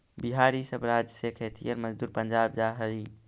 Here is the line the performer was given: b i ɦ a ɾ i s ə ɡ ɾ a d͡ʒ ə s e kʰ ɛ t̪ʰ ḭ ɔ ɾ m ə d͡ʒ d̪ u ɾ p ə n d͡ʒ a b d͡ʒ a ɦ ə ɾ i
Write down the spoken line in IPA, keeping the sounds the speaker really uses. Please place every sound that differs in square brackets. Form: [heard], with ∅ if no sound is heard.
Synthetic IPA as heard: b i ɦ a ɾ i s ə [b] ɾ a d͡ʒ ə s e kʰ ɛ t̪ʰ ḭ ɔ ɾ m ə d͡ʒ d̪ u ɾ p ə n d͡ʒ a b d͡ʒ a ɦ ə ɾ i